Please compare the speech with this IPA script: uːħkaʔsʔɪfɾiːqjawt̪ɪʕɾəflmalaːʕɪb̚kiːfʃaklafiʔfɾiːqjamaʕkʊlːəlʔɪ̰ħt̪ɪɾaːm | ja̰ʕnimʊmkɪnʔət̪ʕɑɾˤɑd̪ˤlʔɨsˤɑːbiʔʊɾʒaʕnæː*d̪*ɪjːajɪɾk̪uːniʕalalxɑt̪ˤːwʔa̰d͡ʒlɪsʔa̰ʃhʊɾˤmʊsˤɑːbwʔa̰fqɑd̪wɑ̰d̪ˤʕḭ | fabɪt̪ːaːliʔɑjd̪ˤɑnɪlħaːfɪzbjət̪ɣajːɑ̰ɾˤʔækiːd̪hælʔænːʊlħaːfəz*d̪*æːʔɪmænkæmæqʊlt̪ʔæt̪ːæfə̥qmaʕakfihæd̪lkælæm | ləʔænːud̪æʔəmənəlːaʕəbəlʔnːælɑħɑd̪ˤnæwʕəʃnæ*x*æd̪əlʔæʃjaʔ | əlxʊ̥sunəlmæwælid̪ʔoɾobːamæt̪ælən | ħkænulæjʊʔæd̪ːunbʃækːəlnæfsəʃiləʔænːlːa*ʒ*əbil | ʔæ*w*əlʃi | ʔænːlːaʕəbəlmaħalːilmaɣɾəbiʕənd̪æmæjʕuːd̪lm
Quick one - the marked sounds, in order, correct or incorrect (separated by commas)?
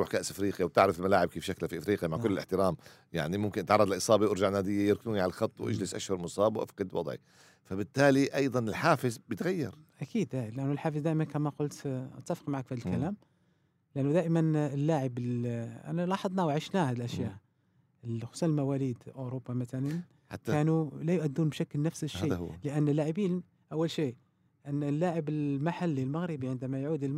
correct, correct, incorrect, incorrect, incorrect